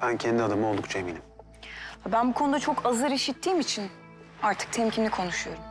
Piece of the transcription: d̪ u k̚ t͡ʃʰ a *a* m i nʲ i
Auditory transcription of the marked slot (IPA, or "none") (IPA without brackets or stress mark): e